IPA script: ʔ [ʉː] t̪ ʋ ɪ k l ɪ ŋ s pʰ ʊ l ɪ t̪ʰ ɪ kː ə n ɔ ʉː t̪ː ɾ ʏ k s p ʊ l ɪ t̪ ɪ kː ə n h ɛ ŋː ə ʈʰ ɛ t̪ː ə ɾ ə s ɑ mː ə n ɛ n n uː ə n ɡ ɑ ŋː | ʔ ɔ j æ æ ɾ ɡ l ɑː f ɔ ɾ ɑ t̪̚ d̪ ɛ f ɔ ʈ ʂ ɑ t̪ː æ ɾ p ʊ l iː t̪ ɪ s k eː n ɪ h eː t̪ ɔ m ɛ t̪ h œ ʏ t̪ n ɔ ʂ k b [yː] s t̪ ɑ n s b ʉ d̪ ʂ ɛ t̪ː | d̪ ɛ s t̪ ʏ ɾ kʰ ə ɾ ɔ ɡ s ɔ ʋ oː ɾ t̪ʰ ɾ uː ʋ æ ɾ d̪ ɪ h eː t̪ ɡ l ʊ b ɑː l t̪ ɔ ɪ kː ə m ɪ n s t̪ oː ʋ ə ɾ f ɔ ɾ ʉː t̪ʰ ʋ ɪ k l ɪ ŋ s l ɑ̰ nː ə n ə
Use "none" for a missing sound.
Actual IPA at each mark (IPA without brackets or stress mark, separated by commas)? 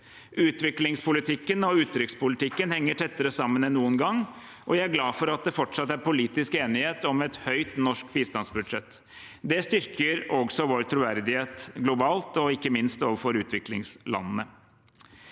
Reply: ʉː, iː